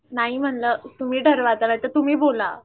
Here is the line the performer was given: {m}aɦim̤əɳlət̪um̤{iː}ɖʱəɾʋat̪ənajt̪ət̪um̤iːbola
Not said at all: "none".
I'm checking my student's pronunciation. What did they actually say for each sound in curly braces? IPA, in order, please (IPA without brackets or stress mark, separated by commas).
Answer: n, iː